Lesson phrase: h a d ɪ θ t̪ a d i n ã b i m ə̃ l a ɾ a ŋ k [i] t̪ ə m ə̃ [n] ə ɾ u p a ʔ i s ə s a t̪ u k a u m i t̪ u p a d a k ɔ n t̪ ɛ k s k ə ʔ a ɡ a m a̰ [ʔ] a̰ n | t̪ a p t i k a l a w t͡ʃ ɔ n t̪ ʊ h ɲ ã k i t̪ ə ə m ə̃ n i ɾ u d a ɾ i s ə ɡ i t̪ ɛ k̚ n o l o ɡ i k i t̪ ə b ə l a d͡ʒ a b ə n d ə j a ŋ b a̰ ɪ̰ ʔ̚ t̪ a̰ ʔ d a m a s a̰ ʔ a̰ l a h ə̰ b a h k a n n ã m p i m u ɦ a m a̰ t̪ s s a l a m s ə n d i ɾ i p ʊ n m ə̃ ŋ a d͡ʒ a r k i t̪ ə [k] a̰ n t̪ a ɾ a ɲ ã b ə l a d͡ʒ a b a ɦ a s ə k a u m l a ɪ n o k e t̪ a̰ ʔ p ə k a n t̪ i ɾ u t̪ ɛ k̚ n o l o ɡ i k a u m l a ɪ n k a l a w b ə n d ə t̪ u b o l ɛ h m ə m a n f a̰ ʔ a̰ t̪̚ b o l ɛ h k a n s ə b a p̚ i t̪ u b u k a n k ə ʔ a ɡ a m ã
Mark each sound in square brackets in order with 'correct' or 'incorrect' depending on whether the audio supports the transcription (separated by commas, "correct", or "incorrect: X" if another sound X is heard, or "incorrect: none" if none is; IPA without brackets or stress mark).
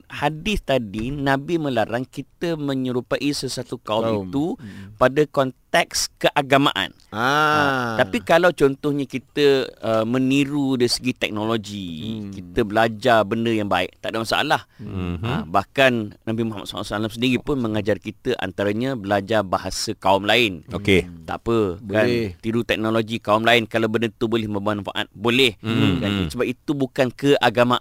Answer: correct, incorrect: ɲ, correct, incorrect: ʔ